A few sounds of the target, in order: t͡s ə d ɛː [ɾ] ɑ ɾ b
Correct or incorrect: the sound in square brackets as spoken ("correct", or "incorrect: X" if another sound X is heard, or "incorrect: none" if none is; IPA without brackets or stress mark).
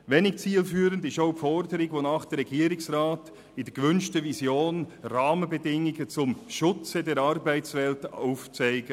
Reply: correct